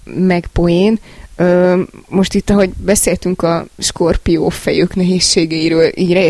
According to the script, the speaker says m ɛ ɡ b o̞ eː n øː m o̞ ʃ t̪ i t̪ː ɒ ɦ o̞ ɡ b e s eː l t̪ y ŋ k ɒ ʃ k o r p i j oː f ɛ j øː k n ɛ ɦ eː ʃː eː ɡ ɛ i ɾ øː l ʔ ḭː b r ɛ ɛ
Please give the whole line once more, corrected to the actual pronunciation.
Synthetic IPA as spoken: m ɛ ɡ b o̞ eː n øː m o̞ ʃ t̪ i t̪ː ɒ ɦ o̞ ɟ b ɛ s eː l t̪ y ŋ k ɒ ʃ k o r p i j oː f ɛ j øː k n ɛ ɦ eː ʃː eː ɡ ɛ i ɾ øː l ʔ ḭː ɟ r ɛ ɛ